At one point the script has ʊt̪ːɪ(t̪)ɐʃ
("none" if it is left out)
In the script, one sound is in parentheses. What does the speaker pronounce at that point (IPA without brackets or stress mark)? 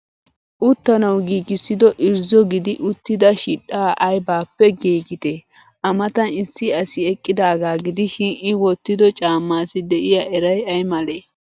d̪